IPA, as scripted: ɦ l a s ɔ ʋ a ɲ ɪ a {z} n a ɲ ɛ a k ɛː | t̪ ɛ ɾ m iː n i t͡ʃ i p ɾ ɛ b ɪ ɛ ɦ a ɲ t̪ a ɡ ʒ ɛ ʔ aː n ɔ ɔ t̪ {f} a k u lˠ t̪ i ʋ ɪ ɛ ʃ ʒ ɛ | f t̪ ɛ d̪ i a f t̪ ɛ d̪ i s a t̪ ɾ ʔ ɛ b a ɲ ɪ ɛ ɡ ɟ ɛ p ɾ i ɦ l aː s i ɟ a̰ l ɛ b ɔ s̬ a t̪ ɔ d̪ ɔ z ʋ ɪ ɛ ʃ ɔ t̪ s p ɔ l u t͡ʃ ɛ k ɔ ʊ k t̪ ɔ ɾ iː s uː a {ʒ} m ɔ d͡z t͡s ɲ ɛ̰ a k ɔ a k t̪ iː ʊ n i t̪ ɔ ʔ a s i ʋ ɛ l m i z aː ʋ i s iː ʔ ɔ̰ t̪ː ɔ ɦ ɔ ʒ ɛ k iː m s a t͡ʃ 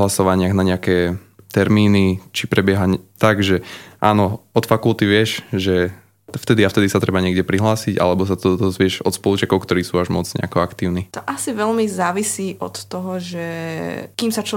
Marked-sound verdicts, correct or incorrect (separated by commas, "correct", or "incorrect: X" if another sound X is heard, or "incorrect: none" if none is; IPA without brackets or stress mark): incorrect: ɣ, correct, correct